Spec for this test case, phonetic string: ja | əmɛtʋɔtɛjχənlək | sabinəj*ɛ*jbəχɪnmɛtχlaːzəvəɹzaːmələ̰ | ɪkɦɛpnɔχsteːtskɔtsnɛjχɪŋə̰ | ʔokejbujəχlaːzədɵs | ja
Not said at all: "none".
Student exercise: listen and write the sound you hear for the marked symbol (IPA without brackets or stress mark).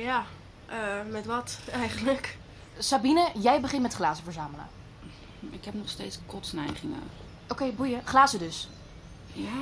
ɛ